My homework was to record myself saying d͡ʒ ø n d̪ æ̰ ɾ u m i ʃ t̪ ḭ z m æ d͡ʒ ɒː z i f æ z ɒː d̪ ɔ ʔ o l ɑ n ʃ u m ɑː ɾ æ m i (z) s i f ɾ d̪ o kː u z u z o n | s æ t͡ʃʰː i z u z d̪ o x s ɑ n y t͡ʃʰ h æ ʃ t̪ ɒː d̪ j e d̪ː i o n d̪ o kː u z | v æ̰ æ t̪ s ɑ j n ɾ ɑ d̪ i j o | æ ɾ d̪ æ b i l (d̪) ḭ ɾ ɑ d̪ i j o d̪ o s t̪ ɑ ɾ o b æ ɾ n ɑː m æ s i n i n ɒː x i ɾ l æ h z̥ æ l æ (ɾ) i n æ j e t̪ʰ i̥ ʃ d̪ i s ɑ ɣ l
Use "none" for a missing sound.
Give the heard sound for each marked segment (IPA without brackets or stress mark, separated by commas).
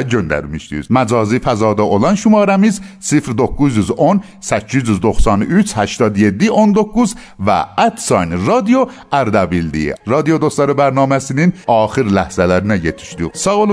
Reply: z, d̪, ɾ